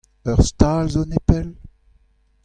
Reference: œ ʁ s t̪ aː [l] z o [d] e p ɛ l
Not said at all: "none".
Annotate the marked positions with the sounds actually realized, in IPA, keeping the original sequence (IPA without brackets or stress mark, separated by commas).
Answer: l, n